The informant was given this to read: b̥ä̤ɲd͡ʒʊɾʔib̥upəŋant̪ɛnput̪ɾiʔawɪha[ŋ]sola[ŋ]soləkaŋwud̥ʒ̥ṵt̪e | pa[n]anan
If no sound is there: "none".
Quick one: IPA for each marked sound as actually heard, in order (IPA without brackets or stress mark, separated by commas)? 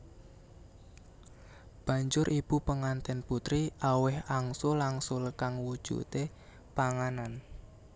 ŋ, ŋ, ŋ